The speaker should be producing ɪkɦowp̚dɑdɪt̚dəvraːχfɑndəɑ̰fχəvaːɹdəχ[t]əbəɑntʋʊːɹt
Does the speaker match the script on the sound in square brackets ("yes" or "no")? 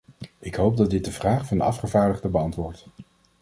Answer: no